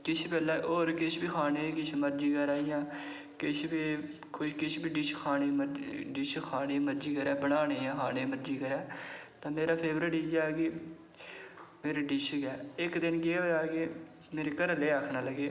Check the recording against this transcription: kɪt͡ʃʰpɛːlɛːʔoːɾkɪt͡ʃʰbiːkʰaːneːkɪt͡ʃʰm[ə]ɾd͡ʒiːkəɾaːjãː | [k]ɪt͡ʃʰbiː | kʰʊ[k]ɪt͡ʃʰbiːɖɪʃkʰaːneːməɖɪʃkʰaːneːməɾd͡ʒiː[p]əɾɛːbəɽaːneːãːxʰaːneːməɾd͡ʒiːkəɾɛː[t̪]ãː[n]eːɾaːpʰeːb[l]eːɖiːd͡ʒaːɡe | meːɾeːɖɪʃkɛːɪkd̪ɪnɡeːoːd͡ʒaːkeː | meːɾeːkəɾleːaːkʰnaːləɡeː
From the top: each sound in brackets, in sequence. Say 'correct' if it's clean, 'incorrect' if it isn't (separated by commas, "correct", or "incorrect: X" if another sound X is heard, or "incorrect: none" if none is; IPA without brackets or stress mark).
correct, correct, correct, incorrect: k, correct, incorrect: m, incorrect: ɾ